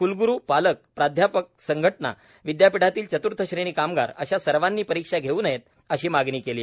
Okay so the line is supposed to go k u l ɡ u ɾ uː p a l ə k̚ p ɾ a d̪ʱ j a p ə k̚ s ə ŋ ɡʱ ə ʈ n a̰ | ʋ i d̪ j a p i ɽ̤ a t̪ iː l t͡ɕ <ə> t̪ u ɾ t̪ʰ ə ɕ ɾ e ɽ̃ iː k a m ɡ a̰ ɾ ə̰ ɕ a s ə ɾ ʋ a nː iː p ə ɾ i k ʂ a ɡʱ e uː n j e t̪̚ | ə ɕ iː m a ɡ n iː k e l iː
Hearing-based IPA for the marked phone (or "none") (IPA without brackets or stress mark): ə